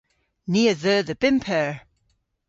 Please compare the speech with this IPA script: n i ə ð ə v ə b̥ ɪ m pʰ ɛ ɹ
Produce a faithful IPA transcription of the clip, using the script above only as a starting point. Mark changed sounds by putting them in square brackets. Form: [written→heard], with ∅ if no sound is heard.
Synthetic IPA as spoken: n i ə ð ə [v→ð] ə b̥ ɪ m pʰ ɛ ɹ